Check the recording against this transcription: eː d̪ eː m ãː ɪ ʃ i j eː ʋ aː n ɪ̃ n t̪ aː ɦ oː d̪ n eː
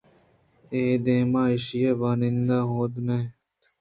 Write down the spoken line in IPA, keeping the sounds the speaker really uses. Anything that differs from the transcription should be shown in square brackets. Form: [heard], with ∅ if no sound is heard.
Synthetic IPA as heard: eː d̪ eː m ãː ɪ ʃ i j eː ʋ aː n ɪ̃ n [d̪] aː ɦ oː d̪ n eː